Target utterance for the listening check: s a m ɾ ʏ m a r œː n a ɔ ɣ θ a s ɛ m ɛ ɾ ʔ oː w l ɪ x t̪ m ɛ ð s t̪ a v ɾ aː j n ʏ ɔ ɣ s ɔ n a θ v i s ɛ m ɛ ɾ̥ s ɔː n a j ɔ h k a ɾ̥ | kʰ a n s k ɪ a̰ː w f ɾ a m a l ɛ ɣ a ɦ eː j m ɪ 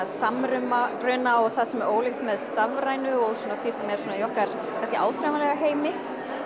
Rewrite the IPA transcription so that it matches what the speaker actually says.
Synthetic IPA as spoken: s a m ɾ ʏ m a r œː n a ɔ ɣ θ a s ɛ m ɛ ɾ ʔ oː w l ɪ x t̪ m ɛ ð s t̪ a v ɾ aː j n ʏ ɔ ɣ s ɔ n a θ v i s ɛ m ɛ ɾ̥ s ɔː n a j ɔ h k a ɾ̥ | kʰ a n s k ɪ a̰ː w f ɾ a m a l ɛ ɣ a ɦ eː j m ɪ

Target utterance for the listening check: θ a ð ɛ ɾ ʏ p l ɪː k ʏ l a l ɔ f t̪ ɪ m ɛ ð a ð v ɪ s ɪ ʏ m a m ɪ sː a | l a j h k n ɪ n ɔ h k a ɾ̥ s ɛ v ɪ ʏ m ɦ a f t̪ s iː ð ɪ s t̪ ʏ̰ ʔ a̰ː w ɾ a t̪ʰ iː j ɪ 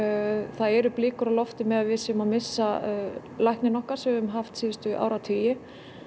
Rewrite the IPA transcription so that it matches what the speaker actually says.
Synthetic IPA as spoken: θ a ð ɛ ɾ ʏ p l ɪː k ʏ ɾ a l ɔ f t̪ ɪ m ɛ ð a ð v ɪ s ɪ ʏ m a m ɪ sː a | l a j h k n ɪ n ɔ h k a ɾ̥ s ɛ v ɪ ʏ m ɦ a f t̪ s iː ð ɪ s t̪ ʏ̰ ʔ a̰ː w ɾ a t̪ʰ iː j ɪ

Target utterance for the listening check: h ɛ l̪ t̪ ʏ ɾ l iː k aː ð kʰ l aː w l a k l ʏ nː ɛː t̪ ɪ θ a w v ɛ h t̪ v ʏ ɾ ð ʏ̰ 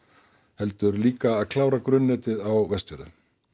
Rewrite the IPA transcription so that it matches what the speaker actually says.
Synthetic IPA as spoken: h ɛ l̪ t̪ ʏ ɾ l iː k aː ð kʰ l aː w ɾ a k ɾ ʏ nː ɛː t̪ ɪ ð a w v ɛ s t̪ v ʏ ɾ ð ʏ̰

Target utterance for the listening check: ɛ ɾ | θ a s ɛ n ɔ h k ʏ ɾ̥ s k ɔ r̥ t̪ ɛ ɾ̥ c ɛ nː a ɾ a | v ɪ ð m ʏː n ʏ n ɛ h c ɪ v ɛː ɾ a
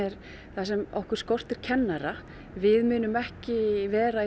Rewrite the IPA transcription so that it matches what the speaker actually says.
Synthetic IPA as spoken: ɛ ɾ | θ a s ɛ m ɔ h k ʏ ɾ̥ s k ɔ r̥ t̪ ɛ ɾ̥ cʰ ɛ nː a ɾ a | v ɪ ð m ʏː n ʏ m ɛ h c ɪ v ɛː ɾ a

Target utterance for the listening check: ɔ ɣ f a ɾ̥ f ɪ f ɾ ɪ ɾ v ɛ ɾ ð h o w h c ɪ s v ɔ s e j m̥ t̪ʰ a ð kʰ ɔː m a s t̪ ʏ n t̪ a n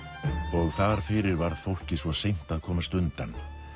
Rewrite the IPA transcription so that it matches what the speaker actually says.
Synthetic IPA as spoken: ɔ ɣ θ a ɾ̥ f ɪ ɾ ɪ ɾ v a ɾ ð θ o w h c ɪ s v ɔ s e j m̥ t̪ a ð kʰ ɔː m a s t̪ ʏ n t̪ a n

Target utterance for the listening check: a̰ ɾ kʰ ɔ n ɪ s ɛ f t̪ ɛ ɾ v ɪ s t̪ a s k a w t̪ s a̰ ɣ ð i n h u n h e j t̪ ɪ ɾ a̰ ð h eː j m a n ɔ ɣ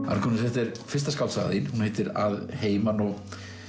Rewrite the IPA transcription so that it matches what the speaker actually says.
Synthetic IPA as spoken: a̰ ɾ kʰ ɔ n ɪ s ɛ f t̪ ɛ ɾ f ɪ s t̪ a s k a w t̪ s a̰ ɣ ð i n h u n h e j t̪ ɪ ɾ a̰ ð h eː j m a n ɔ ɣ

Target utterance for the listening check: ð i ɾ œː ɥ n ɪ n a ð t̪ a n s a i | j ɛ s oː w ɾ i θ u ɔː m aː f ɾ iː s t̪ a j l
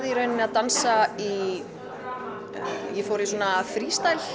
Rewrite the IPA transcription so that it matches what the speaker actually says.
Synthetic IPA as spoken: ð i ɾ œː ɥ n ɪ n a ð t̪ a n s a i | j ɛ f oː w ɾ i s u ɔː n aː f ɾ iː s t̪ a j l

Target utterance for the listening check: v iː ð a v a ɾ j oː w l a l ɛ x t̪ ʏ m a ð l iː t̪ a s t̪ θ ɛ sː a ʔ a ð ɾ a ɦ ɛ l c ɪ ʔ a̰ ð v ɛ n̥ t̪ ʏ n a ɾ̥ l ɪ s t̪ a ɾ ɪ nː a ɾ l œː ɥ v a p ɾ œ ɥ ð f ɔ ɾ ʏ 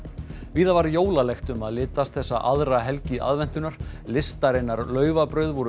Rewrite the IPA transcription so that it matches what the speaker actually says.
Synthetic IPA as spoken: v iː ð a v a ɾ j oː w l a l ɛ x t̪ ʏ m a ð l ɪː t̪ a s t̪ θ ɛ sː a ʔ a ð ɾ a ɦ ɛ l c ɪ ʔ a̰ ð v ɛ n̥ t̪ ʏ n a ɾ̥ l ɪ s t̪ a ɾ ɪ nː a ɾ l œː ɥ v a p ɾ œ ɥ ð v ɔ ɾ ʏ

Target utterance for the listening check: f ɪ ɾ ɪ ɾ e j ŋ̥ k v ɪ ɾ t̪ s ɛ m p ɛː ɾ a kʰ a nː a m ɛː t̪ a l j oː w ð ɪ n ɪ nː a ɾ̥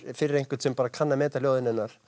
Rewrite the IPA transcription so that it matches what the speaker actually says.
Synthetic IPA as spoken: f ɪ ɾ ɪ ɾ e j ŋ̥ k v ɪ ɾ t̪ s ɛ m p aː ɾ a kʰ a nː a m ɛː t̪ a l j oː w ð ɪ n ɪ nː a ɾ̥

